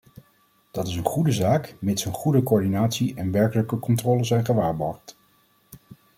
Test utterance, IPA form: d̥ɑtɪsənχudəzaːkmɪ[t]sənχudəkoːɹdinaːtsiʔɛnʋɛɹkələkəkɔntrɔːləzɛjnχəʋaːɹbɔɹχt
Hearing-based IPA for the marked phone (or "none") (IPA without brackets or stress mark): t